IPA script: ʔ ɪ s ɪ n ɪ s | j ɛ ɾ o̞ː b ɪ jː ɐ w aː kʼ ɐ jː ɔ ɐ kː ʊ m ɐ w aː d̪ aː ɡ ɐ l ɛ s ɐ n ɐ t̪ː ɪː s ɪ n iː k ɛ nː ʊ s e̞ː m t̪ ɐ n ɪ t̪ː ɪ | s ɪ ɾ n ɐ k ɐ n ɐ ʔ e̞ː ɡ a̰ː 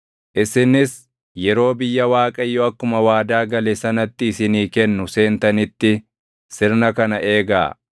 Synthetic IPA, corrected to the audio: ʔ ɪ s ɪ n ɪ s | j ɛ ɾ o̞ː b ɪ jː ɐ w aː kʼ ɐ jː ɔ ɐ kː ʊ m ɐ w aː d̪ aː ɡ ɐ l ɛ s ɐ n ɐ t̪ː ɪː s ɪ n iː k ɛ nː ʊ s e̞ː n t̪ ɐ n ɪ t̪ː ɪ | s ɪ ɾ n ɐ k ɐ n ɐ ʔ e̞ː ɡ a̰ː